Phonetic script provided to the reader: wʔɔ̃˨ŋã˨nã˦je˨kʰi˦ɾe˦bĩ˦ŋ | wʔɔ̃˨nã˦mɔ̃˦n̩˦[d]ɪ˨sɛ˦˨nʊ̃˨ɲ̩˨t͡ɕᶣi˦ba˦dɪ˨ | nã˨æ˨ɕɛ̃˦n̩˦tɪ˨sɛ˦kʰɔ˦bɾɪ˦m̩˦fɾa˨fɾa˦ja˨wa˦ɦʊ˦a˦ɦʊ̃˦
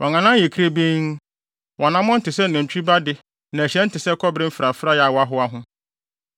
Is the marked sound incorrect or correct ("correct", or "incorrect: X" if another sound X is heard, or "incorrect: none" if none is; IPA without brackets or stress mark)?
incorrect: t